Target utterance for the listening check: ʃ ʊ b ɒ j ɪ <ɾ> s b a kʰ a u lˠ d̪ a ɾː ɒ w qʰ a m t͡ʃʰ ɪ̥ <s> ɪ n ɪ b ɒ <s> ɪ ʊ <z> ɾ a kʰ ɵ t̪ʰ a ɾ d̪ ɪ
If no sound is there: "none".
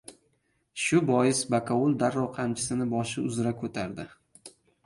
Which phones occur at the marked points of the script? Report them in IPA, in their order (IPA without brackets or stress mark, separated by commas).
none, s, ʃ, z